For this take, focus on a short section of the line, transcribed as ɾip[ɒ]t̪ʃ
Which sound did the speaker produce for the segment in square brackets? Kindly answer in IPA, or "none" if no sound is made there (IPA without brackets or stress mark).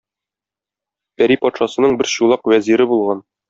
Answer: ɒ